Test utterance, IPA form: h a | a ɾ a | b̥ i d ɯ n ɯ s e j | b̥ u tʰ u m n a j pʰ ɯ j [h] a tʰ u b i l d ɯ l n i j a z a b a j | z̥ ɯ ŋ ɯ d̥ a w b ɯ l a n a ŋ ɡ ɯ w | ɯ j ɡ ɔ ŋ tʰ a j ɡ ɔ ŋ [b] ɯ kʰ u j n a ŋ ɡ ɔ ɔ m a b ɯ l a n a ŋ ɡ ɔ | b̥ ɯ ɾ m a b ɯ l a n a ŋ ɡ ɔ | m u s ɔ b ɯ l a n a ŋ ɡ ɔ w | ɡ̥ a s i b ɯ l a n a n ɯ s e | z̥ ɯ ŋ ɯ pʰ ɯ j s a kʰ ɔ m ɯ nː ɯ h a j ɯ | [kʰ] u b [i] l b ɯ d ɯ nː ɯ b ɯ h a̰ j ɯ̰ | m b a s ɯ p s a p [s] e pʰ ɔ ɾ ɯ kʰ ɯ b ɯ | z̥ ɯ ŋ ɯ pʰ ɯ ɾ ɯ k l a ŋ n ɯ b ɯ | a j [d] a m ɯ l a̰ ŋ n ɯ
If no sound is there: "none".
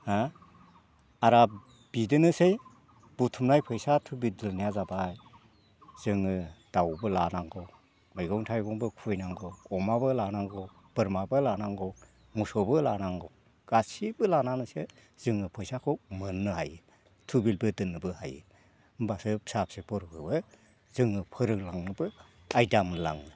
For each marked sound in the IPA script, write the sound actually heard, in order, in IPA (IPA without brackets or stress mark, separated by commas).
s, b, tʰ, i, s, d